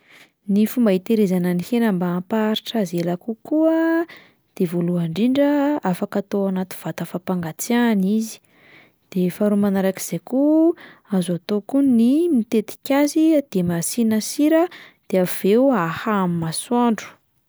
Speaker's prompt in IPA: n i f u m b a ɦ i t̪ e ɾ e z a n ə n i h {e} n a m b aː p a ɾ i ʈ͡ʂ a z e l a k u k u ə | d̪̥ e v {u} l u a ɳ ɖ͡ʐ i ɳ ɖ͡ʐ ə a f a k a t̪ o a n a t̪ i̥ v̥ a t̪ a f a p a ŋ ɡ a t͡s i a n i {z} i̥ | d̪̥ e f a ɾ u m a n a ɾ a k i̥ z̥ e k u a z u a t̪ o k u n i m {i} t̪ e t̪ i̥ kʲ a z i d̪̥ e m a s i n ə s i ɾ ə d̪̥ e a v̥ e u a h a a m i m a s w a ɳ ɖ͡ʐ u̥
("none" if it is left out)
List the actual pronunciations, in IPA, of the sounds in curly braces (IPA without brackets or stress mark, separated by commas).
e, o, z, i